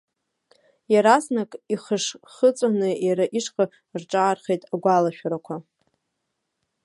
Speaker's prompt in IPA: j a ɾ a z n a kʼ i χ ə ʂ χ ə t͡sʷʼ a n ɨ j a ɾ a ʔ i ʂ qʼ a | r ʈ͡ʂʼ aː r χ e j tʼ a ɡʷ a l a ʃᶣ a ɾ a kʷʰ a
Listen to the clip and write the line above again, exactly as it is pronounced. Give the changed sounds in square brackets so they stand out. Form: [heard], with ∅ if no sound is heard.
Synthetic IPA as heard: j a ɾ a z n a kʼ i χ ə ʂ χ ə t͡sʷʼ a n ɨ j a ɾ a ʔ i ʂ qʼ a | r ʈ͡ʂʼ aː r χ e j tʼ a ɡʷ a l a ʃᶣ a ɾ a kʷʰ a